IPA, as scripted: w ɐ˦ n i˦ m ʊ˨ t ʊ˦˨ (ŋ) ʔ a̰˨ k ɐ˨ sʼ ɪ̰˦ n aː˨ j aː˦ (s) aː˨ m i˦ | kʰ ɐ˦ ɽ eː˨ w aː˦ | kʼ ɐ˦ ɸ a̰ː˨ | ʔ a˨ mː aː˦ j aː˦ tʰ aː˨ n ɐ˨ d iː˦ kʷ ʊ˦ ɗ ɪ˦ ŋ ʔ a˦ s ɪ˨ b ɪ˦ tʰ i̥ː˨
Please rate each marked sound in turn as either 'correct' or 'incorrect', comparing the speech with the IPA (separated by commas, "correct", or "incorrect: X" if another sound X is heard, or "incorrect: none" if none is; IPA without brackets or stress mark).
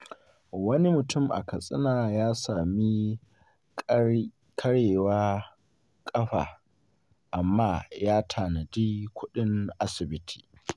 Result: incorrect: m, correct